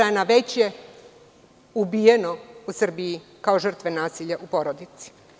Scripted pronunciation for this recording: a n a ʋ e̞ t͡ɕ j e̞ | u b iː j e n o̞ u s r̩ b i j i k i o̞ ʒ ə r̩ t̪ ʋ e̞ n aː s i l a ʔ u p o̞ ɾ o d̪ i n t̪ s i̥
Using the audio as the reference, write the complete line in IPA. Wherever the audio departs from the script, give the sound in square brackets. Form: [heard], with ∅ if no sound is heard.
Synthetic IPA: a n a ʋ e̞ t͡ɕ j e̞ | u b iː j e n o̞ u s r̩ b i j i k [a] o̞ ʒ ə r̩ t̪ ʋ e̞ n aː s i [ʎ] a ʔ u p o̞ ɾ o d̪ i [∅] t̪ s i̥